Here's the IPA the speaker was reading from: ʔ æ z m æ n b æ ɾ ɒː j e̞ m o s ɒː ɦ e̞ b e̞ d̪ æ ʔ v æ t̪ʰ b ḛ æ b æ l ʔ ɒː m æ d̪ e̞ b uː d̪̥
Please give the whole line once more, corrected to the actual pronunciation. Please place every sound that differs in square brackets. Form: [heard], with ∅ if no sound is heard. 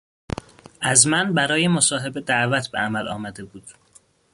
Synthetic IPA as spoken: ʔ æ z m æ n b æ ɾ ɒː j e̞ m o s ɒː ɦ e̞ b e̞ d̪ æ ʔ v æ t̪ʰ b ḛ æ [m] æ l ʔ ɒː m æ d̪ e̞ b uː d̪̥